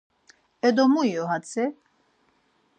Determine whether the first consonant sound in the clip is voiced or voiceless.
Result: voiced